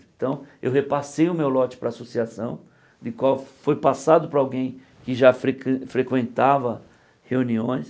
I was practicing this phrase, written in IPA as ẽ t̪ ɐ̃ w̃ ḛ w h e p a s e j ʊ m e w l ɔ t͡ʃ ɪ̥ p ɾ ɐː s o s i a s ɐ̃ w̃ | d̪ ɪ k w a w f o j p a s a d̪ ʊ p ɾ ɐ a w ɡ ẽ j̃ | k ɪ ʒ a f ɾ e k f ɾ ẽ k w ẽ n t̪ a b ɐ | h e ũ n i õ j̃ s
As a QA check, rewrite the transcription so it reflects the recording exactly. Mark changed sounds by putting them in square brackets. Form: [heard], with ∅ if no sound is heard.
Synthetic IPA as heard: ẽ t̪ ɐ̃ w̃ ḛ w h e p a s e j ʊ m e w l ɔ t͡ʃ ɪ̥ p ɾ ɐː s o s i a s ɐ̃ w̃ | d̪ ɪ k w a w f o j p a s a d̪ ʊ p ɾ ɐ a w ɡ ẽ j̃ | k ɪ ʒ a f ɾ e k f ɾ [e] k w ẽ n t̪ a [v] ɐ | h e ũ n i õ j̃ s